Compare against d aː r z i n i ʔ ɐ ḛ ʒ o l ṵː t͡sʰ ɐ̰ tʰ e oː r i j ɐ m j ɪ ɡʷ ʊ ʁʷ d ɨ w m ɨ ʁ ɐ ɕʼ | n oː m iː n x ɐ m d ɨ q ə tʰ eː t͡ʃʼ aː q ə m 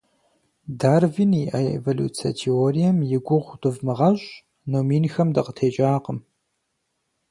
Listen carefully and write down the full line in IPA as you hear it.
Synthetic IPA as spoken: d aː r v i n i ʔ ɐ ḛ v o l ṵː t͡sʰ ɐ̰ tʰ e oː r i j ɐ m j ɪ ɡʷ ʊ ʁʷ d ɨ v m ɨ ʁ ɐ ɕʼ | n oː m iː n x ɐ m d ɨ q ə tʰ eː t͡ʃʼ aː q ə m